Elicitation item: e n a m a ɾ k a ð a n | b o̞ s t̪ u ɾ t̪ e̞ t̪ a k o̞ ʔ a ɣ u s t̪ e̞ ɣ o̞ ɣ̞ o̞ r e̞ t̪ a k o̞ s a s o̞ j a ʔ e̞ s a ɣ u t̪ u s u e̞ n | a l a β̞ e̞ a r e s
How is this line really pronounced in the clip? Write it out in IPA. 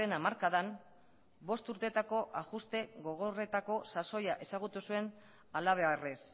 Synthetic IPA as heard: e n a m a ɾ k a ð a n | b o̞ s t̪ u ɾ t̪ e̞ t̪ a k o̞ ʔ a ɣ u s t̪ e̞ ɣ o̞ ɣ̞ o̞ r e̞ t̪ a k o̞ s a s o̞ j a ʔ e̞ s a ɣ u t̪ u s u e̞ n | a l a β̞ e̞ a r e s